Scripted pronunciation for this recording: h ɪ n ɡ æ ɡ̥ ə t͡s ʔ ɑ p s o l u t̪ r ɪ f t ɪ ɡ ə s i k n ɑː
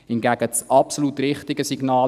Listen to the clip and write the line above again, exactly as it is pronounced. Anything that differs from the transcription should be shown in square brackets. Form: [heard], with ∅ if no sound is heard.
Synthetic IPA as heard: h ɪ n ɡ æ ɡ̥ ə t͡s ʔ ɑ p s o l u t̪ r ɪ [χ] t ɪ ɡ ə s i [ɡ] n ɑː

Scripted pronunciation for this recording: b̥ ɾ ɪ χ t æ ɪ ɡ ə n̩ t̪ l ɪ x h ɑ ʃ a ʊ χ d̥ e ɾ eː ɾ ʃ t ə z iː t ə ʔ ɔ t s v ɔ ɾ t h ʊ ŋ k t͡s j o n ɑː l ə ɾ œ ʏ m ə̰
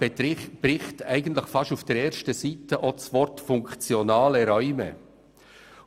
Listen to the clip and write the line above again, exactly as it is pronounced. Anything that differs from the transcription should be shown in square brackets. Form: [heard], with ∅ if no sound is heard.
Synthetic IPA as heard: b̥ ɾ ɪ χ t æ ɪ ɡ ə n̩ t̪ l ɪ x [f] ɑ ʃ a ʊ [f] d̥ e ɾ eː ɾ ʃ t ə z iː t ə ʔ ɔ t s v ɔ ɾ t [f] ʊ ŋ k t͡s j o n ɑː l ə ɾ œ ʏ m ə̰

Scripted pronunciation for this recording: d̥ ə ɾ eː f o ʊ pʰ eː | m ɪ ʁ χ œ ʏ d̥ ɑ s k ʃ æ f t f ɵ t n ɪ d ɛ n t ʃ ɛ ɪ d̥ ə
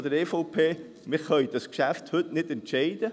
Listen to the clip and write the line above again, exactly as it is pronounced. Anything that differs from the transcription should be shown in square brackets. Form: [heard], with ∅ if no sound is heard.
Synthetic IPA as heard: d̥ ə ɾ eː f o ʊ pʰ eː | m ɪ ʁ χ œ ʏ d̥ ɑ s k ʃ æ f t [h] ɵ t n ɪ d ɛ n t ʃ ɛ ɪ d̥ ə

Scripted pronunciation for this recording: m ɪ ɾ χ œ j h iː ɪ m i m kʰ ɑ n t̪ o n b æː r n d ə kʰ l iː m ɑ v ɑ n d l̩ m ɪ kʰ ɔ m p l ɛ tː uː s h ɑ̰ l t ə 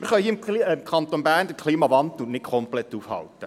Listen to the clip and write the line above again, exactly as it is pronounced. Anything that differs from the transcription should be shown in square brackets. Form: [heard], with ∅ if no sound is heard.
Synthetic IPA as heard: m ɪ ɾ χ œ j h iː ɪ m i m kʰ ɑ n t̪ o n b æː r n d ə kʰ l iː m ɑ v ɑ n d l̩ [n] ɪ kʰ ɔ m p l ɛ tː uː [f] h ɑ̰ l t ə

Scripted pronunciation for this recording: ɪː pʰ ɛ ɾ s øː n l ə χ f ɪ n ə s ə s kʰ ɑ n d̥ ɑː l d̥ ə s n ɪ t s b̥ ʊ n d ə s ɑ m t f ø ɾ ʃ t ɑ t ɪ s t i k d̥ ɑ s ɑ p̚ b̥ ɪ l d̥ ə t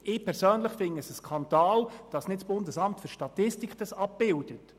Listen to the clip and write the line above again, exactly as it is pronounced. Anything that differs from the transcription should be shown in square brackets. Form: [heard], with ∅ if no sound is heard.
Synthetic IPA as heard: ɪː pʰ ɛ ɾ s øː n l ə χ f ɪ n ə s ə s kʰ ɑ n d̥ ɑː l d̥ [ɑ] s n ɪ t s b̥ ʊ n d ə s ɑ m t f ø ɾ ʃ t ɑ t ɪ s t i k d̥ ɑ s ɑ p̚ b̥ ɪ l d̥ ə t

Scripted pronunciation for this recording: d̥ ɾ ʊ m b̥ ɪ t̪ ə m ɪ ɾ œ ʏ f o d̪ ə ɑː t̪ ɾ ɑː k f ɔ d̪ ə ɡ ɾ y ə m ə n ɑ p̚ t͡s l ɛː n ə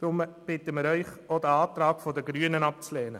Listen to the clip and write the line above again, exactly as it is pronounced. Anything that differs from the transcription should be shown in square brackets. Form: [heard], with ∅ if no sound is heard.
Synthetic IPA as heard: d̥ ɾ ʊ m b̥ ɪ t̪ ə m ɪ ɾ œ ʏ [χ] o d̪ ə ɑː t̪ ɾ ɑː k f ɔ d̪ ə ɡ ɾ y ə [n] ə n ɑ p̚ t͡s l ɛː n ə

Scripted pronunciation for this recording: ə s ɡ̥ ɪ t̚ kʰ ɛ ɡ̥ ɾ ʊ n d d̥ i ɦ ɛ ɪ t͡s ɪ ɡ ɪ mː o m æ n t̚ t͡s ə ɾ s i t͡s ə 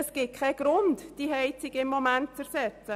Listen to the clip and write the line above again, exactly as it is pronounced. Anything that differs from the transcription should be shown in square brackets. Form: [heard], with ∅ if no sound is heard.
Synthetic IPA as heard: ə s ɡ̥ ɪ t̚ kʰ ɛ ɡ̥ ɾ ʊ n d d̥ i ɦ ɛ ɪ t͡s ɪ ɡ ɪ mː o m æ n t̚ t͡s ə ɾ s [ɛ] t͡s ə

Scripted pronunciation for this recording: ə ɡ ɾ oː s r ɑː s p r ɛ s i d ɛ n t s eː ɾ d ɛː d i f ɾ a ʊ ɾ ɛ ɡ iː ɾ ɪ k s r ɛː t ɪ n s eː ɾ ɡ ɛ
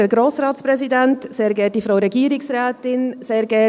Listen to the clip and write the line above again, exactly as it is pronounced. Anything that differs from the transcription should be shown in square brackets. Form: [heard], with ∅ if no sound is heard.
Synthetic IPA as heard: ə ɡ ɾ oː s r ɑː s p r ɛ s i d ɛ n t s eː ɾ [ɡ] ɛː d i f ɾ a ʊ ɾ ɛ ɡ iː ɾ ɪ k s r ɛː t ɪ n s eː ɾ ɡ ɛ

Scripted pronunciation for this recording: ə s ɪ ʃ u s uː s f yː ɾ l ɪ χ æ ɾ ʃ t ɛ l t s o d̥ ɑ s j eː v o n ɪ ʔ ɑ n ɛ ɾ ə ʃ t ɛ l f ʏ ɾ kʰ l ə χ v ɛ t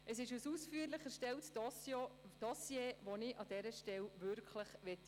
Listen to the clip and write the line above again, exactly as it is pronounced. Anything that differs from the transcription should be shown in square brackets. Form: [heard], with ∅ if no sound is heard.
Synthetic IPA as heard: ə s ɪ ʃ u s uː s f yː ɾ l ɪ χ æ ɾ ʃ t ɛ l t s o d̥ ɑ s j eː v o n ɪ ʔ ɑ [d] ɛ ɾ ə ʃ t ɛ l [v] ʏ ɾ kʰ l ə χ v ɛ t

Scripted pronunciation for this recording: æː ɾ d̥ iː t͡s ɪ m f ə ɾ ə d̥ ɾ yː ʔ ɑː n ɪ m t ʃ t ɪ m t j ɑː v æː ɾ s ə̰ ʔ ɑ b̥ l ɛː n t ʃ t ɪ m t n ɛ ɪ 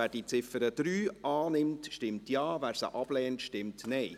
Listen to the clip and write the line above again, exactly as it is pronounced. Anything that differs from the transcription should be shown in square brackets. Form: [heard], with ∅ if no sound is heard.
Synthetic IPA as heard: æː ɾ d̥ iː t͡s ɪ [∅] f ə ɾ ə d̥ ɾ yː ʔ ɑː n ɪ m t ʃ t ɪ m t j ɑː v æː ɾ s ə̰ ʔ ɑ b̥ l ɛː n t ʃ t ɪ m t n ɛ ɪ

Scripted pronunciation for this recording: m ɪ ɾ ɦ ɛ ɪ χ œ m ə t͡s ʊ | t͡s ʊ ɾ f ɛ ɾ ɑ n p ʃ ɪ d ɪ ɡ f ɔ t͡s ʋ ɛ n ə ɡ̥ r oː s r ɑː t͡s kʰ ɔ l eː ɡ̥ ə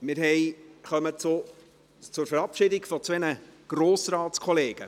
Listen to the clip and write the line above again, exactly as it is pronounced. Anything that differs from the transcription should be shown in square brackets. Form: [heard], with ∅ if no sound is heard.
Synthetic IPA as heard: m ɪ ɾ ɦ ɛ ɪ χ œ m ə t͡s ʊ | t͡s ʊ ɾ f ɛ ɾ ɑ [∅] p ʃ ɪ d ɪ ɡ f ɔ t͡s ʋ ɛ n ə ɡ̥ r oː s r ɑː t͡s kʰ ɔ l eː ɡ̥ ə

